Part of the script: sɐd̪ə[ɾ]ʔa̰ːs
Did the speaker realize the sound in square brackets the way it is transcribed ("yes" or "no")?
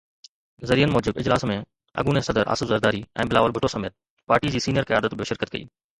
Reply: yes